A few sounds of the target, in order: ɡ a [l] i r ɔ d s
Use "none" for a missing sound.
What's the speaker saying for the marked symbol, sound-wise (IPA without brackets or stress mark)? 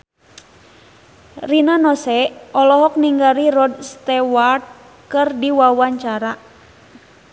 ɾ